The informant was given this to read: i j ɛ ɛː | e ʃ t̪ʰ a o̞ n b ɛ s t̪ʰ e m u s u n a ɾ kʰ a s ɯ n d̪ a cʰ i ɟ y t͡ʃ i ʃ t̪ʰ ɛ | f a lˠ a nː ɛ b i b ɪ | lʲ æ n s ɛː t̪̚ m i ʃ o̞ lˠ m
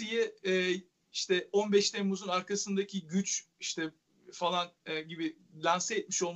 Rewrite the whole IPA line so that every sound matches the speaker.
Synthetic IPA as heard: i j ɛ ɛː | i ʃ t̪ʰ ɛ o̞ n b ɛ ʃ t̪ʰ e m u z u n a ɾ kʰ a s ɯ n d̪ a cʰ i ɟ y t͡ʃ i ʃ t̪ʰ ɛ | f a lˠ a n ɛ ɟ i b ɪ | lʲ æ n s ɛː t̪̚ m i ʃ o̞ lˠ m